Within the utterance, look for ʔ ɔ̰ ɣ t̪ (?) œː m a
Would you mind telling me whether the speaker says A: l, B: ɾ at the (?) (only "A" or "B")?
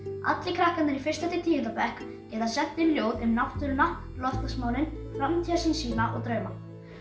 B